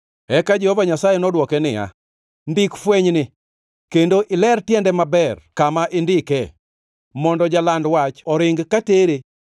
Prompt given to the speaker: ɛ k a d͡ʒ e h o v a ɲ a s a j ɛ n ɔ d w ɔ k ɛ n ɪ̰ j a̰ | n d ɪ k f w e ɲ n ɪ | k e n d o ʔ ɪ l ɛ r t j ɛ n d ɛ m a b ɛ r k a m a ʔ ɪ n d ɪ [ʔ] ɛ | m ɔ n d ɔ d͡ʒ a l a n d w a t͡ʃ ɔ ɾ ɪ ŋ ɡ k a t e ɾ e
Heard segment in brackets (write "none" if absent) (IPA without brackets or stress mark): k